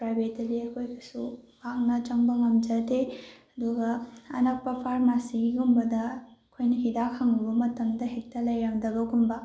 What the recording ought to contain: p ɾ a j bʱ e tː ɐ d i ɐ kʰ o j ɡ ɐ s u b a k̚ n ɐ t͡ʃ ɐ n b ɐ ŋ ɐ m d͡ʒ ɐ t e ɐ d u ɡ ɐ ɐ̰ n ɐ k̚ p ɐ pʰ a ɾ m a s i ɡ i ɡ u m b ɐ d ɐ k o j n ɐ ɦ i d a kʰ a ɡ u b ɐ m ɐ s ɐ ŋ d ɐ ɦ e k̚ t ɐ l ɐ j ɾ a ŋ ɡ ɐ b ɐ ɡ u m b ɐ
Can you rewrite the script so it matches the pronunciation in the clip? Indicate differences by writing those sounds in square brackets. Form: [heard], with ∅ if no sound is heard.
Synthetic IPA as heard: p ɾ a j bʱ e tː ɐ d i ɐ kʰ o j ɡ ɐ s u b a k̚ n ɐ t͡ʃ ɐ [ŋ] b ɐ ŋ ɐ m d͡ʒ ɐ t e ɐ d u ɡ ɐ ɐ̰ n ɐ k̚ p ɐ pʰ a ɾ m a s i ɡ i ɡ u m b ɐ d ɐ [kʰ] o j n ɐ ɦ i d a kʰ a [ŋ] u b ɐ m ɐ [t] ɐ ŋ d ɐ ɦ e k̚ t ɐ l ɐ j ɾ a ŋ [d] ɐ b ɐ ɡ u m b ɐ